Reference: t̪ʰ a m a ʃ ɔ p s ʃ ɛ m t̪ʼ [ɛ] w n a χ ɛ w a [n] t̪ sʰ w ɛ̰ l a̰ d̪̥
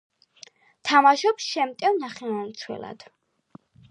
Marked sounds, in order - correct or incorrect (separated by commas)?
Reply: correct, correct